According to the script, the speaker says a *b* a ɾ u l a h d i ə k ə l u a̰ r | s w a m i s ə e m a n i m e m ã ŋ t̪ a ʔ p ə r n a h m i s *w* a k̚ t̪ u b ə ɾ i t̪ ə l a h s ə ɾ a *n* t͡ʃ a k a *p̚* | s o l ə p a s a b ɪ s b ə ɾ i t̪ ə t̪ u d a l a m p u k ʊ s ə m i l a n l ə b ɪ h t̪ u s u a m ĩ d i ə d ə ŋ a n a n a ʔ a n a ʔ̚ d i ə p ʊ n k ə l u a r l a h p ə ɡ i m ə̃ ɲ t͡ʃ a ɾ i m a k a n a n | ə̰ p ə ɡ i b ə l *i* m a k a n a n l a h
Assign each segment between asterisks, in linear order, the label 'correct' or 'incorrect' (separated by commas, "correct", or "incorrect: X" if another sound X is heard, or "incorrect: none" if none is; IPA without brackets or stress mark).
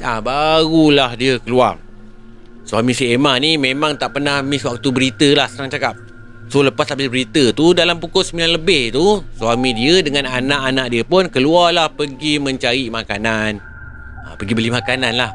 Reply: correct, correct, incorrect: ŋ, correct, correct